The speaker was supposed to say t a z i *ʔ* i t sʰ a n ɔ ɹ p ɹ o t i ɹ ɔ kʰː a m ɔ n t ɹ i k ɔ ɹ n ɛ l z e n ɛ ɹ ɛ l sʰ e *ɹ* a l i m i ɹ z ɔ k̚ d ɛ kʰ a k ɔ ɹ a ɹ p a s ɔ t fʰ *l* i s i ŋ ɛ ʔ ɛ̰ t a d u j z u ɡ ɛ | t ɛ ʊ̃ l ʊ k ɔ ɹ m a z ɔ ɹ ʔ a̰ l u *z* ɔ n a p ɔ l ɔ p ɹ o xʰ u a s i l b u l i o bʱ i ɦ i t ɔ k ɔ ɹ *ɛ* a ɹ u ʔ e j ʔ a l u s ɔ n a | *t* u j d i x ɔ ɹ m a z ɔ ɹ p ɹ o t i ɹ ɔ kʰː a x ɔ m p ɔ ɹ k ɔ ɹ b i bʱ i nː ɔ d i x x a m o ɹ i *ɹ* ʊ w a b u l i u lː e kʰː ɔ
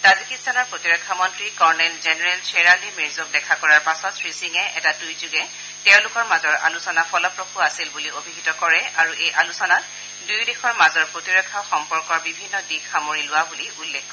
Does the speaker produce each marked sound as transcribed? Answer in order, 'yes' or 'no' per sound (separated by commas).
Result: no, yes, no, no, yes, no, no